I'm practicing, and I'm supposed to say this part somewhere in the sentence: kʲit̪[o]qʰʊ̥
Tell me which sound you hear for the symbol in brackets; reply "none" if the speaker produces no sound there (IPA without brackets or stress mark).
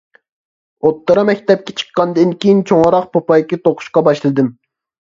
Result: o